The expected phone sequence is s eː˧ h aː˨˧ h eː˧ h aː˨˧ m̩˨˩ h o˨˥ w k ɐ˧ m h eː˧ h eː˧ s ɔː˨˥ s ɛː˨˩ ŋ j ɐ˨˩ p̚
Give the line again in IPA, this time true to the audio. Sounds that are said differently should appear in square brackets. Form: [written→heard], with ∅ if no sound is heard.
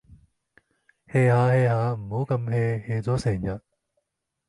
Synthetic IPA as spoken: [s→h] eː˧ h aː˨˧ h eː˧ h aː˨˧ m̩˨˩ h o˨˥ w k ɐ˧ m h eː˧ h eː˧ [s→t͡s] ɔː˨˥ s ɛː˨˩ ŋ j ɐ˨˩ [p̚→t̚]